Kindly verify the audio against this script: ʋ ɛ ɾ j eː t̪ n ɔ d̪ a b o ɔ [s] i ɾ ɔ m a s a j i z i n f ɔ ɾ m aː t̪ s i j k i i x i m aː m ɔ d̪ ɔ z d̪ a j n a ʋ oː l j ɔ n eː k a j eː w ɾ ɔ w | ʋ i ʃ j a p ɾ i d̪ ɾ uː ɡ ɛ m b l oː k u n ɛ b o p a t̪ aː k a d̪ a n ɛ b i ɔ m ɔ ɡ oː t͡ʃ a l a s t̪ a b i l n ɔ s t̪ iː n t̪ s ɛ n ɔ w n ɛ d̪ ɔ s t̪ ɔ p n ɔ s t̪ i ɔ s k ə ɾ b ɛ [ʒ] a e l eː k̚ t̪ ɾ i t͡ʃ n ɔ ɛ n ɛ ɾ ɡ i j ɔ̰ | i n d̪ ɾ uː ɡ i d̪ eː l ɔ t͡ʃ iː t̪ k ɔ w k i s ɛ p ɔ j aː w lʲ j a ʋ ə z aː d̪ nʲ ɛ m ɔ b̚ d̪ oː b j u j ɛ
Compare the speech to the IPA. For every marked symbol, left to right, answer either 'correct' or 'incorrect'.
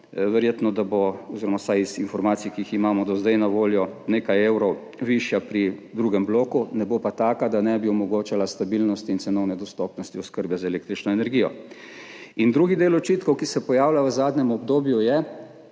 incorrect, incorrect

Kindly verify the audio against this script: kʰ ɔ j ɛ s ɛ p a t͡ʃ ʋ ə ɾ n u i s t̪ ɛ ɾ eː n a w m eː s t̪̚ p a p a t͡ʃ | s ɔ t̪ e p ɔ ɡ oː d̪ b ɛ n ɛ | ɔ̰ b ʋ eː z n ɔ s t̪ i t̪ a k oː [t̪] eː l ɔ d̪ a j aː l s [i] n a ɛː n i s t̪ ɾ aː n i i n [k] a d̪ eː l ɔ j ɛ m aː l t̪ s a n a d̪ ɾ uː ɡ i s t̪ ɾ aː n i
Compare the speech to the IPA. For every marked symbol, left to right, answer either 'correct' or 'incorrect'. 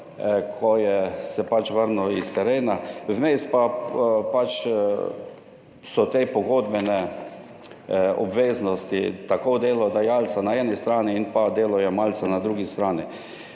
incorrect, incorrect, incorrect

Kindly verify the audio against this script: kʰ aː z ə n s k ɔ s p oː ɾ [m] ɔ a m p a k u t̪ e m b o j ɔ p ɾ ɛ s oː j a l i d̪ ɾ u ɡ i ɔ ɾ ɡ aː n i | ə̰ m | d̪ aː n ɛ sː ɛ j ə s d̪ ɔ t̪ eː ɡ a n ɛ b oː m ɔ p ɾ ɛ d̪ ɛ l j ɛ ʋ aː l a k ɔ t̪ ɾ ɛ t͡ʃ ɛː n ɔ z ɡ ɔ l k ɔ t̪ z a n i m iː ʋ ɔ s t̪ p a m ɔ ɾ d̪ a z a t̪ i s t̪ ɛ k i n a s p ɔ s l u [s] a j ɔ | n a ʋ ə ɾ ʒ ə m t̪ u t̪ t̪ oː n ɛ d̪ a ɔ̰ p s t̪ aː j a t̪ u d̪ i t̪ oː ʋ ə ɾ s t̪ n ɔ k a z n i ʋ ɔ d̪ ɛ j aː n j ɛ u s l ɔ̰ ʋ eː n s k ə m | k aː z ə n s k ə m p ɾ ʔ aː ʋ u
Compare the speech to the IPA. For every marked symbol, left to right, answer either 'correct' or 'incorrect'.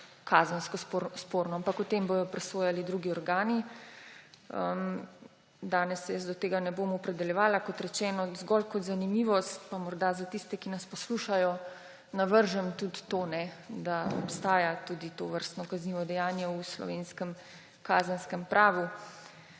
incorrect, incorrect

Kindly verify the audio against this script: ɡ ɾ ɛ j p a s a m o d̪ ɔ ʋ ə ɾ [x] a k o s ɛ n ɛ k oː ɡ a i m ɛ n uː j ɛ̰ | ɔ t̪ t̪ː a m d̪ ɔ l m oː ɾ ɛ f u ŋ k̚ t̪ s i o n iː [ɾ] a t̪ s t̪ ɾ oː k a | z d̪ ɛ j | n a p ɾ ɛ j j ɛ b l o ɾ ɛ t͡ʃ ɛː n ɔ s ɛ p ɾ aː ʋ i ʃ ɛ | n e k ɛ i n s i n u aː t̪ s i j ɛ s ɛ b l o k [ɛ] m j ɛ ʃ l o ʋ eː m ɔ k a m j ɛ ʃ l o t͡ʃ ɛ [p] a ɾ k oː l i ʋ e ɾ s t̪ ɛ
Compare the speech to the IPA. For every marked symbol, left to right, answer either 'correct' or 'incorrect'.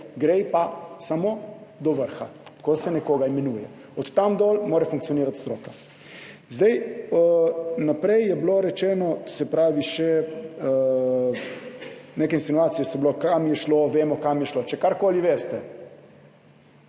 correct, correct, incorrect, incorrect

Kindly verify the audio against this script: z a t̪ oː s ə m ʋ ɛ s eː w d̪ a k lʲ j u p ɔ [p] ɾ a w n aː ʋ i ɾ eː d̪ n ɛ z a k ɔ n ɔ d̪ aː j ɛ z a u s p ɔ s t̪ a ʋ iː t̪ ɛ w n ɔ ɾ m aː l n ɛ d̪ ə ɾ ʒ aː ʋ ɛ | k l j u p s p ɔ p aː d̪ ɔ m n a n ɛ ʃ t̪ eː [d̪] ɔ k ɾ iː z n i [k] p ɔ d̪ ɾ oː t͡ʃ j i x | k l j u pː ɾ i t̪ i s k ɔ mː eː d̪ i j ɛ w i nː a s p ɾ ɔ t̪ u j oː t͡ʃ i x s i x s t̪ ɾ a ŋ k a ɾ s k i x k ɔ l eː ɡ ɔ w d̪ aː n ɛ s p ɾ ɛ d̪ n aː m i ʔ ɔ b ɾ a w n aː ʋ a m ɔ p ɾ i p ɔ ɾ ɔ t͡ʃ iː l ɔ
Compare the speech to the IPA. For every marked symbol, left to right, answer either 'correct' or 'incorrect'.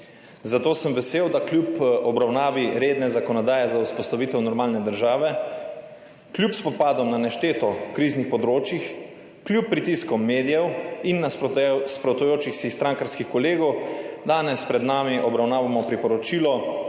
incorrect, incorrect, incorrect

